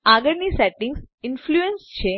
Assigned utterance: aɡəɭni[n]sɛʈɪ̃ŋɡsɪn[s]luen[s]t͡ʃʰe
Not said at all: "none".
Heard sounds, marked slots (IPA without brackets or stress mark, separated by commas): none, f, s